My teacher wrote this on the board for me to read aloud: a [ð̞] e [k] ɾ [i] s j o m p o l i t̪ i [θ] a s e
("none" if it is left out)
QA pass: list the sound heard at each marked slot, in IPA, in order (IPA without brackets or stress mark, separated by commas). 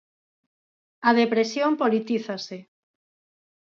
ð̞, p, e, θ